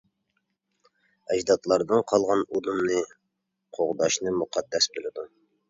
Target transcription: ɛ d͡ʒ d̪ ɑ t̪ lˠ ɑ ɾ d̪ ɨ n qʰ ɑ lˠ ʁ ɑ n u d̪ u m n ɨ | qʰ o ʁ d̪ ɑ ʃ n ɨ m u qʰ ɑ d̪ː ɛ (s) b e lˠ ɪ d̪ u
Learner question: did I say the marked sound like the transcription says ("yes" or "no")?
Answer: yes